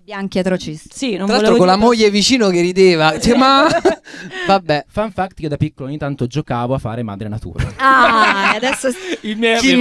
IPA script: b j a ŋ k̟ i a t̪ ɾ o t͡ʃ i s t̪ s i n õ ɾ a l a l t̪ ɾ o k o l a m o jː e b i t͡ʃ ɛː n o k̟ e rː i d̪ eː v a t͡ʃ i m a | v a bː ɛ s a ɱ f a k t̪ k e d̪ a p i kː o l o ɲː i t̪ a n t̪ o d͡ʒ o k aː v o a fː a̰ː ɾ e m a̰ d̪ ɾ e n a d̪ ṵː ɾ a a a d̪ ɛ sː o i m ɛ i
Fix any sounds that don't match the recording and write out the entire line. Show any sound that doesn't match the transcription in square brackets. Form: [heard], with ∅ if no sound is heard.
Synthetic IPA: b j a ŋ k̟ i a t̪ ɾ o t͡ʃ i s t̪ s i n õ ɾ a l a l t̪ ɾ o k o l a m o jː e [v] i t͡ʃ [iː] n o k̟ e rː i d̪ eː v a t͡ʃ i m a | v a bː ɛ [f] a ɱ f a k t̪ k e d̪ a p i kː o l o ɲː i t̪ a n t̪ o d͡ʒ o k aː v o a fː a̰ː ɾ e m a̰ d̪ ɾ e n a [t̪] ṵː ɾ a a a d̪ ɛ sː o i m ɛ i